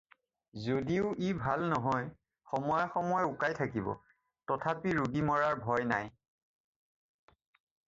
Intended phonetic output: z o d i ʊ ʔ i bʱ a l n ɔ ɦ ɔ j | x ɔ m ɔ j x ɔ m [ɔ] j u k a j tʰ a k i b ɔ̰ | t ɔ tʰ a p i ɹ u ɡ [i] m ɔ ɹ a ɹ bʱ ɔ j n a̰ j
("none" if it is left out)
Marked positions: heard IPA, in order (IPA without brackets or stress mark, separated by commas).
ɔ, i